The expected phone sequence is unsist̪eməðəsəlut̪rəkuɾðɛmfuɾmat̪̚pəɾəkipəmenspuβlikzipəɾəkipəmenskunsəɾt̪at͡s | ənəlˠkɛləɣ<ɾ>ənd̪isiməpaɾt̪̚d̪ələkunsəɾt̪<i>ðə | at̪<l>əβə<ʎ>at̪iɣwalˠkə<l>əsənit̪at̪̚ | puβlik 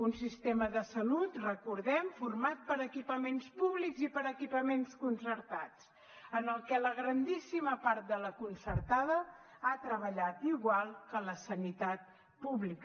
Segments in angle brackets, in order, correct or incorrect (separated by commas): correct, incorrect, incorrect, correct, correct